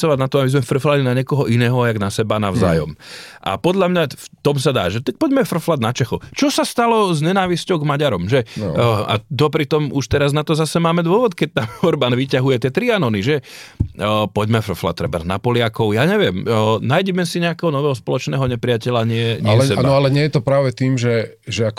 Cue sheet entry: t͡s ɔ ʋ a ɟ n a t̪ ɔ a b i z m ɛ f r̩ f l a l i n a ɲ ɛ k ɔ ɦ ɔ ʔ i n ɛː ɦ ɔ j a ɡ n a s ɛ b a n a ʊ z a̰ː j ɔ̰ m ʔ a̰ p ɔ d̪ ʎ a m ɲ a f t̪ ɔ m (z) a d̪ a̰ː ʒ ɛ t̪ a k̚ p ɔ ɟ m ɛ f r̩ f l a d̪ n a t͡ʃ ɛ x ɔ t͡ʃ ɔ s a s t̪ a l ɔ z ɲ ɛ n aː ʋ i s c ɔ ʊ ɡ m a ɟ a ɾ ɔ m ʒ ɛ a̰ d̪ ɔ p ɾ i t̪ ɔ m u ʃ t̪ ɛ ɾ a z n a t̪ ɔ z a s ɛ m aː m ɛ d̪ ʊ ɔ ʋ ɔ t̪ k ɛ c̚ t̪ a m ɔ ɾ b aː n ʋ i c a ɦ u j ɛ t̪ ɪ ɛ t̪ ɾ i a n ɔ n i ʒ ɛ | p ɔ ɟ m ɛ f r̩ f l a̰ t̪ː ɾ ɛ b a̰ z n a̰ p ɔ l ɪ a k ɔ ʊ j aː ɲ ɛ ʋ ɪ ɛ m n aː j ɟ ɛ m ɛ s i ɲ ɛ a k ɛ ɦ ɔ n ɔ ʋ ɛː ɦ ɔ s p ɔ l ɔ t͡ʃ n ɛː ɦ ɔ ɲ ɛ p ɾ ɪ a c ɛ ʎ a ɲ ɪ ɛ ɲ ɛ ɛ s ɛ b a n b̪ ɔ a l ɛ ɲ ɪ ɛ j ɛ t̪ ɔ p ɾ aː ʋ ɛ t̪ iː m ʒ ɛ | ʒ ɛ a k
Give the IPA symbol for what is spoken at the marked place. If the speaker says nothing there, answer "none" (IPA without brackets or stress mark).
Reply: s